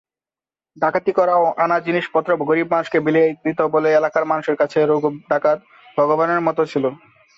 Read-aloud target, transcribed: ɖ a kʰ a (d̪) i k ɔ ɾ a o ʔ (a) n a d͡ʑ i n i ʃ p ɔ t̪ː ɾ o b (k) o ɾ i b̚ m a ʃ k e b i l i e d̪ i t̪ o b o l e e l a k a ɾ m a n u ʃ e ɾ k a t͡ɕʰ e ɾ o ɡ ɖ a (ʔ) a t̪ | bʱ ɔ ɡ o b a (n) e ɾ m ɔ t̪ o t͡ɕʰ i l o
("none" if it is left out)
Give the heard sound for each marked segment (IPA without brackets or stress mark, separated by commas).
t̪, a, ɡ, k, n